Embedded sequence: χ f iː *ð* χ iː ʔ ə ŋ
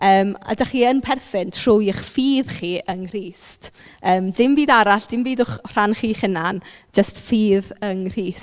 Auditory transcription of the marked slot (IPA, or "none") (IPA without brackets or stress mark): ð